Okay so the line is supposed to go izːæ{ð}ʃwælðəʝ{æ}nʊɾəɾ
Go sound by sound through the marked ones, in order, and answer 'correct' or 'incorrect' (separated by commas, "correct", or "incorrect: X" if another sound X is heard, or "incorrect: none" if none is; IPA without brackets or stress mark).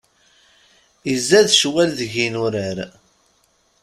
correct, incorrect: i